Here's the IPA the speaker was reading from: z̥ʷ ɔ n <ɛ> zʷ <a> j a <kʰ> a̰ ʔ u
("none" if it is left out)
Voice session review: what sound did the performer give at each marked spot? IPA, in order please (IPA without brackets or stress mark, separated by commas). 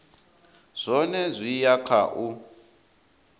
ɛ, i, kʰ